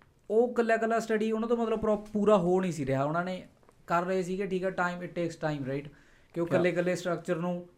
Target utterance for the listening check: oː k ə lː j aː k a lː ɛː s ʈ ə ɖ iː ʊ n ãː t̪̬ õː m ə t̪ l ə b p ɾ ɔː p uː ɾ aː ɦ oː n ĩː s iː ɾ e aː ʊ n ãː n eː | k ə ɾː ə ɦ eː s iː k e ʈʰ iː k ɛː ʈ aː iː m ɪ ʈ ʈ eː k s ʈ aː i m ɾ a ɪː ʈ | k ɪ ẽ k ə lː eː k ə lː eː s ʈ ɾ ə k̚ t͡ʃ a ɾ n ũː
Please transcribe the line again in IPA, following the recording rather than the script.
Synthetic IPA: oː k ə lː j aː k ə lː aː s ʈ ə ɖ iː ʊ n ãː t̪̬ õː m ə t̪ l ə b p ɾ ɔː p uː ɾ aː ɦ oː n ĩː s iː ɾ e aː ʊ n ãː n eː | k ə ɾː ə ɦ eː s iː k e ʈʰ iː k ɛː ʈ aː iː m ɪ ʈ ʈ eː k s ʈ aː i m ɾ a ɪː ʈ | k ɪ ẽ k ə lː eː k ə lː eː s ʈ ɾ ə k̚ t͡ʃ ə ɾ n ũː